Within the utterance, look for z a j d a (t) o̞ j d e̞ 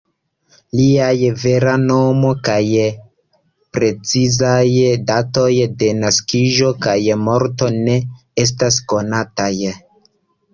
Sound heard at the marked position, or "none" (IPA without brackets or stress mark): t